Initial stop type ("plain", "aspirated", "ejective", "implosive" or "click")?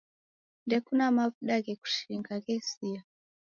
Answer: plain